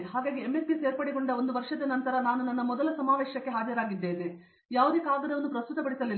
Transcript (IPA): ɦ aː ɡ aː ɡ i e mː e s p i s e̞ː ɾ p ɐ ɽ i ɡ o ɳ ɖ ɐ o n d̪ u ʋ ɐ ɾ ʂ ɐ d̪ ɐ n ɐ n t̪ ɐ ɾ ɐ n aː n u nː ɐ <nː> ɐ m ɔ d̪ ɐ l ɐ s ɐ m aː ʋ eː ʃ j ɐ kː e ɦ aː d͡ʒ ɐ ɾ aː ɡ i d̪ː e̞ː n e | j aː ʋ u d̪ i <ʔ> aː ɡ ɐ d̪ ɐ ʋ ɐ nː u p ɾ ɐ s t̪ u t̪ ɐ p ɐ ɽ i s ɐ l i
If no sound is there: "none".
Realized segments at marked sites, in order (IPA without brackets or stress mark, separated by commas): nː, k